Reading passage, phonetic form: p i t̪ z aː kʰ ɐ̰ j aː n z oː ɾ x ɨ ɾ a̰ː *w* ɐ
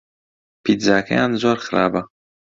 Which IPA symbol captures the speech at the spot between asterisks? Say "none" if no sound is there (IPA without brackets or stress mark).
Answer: b